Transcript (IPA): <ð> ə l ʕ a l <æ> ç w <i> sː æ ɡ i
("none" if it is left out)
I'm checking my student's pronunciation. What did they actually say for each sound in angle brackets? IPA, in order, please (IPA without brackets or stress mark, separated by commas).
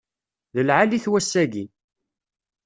ð, i, æ